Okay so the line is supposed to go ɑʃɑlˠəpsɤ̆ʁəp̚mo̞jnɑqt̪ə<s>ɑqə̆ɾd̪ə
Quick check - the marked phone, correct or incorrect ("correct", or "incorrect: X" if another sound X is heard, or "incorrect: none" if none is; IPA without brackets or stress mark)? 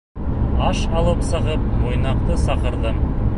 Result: correct